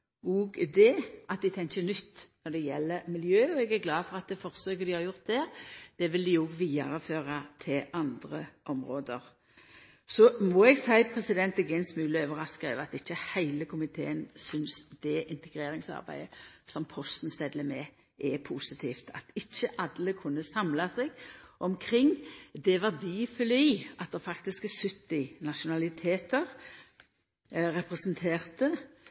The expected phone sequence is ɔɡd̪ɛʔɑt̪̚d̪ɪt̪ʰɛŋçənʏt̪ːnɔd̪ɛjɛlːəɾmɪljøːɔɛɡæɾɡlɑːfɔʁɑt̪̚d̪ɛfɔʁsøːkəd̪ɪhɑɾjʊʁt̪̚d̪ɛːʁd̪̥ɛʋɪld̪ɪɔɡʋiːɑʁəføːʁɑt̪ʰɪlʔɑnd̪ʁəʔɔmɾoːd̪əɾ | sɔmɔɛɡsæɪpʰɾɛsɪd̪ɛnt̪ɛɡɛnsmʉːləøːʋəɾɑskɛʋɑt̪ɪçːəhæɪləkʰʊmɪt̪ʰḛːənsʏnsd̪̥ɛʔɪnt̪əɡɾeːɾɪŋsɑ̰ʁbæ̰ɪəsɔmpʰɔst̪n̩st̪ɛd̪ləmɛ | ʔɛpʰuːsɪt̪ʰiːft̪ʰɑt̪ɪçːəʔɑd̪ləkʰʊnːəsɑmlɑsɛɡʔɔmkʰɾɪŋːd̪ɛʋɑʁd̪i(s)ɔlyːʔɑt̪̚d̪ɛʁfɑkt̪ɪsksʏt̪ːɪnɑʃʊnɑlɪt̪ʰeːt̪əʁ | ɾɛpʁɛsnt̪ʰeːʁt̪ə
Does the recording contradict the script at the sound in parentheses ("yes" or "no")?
yes